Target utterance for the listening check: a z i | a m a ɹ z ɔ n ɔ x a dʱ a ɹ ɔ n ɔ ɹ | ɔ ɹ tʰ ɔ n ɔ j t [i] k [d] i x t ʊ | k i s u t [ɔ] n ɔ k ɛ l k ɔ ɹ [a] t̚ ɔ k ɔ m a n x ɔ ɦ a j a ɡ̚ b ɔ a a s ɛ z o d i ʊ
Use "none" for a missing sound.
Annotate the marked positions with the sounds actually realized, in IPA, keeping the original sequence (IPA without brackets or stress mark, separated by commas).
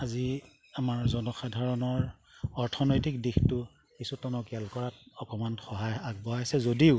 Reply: i, d, ɔ, a